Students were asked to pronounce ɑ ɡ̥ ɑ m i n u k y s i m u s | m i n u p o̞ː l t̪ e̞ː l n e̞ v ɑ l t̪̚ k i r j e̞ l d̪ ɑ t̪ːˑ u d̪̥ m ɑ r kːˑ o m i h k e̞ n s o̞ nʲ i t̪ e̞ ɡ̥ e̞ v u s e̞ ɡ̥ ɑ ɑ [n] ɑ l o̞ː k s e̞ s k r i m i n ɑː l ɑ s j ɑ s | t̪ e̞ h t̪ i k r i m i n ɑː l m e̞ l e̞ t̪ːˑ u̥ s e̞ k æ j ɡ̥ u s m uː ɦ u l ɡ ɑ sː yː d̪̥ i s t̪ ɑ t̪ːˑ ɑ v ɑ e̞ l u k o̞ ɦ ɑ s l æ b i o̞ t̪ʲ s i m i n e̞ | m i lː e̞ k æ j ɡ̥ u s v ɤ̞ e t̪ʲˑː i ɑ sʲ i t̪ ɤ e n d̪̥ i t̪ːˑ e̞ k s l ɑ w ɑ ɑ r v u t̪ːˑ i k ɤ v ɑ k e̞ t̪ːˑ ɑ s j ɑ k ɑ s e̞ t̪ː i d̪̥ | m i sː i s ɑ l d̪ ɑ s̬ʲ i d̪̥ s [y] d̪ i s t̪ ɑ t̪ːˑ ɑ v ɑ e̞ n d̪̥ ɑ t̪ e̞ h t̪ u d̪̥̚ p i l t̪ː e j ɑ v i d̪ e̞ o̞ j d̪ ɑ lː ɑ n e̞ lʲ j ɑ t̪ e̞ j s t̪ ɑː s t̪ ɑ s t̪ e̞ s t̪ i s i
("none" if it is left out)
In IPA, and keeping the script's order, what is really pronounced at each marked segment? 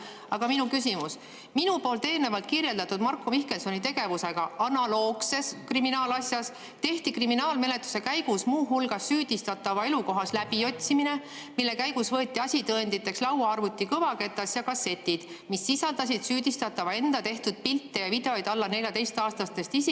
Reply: n, yː

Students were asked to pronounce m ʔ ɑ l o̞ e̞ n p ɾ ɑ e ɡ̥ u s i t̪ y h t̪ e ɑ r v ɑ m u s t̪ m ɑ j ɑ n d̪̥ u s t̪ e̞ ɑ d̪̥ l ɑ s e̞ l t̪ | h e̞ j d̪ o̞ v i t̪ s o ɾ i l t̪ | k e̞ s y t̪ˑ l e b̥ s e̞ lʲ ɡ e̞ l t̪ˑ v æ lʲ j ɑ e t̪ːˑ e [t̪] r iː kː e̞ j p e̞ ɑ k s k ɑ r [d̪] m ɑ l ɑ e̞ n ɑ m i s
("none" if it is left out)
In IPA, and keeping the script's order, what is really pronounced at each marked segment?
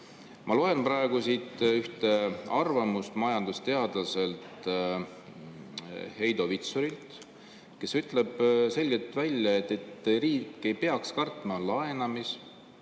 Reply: t̪, t̪

